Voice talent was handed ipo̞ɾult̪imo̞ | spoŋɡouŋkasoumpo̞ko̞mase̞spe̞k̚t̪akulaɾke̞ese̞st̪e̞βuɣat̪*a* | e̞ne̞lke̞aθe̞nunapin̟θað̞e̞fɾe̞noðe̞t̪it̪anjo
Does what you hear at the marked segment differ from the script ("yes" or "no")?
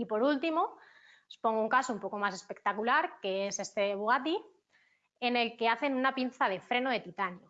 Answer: yes